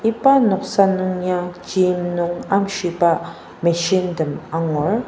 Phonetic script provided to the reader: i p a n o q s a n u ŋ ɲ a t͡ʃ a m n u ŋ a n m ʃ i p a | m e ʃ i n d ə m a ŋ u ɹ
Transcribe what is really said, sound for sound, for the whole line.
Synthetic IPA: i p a n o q s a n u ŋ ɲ a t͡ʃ i m n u ŋ a m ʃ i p a | m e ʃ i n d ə m a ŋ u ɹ